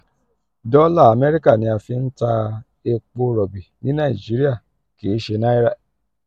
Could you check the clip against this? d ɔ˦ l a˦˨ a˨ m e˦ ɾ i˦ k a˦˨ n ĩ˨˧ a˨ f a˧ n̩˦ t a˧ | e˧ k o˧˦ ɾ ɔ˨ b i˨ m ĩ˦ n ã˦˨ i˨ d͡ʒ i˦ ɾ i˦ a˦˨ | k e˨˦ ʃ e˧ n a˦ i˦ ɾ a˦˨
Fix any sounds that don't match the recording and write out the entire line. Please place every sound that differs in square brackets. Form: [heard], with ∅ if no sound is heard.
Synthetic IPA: d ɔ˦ l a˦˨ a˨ m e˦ ɾ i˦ k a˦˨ n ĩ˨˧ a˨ f [i˧] n̩˦ t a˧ | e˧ [k͡p] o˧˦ ɾ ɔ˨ b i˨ [n] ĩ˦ n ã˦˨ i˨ d͡ʒ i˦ ɾ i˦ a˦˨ | k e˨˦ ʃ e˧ n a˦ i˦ ɾ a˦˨